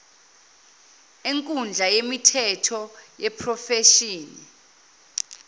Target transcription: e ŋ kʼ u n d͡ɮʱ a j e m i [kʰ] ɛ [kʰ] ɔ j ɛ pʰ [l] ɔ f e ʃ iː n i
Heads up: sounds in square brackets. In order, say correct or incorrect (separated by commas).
incorrect, incorrect, incorrect